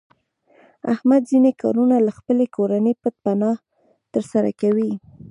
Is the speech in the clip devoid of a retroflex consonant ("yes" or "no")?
yes